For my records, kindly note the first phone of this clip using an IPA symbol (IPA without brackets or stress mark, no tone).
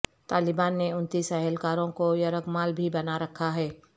t̪